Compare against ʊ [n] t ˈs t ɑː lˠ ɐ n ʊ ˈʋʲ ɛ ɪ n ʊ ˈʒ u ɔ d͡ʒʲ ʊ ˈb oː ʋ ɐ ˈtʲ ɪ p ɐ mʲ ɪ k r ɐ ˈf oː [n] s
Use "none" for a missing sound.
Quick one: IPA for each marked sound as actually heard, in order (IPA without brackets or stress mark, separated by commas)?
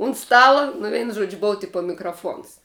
n, n